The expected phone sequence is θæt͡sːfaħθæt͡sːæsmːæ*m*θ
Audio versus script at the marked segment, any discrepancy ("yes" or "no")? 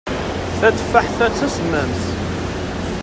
no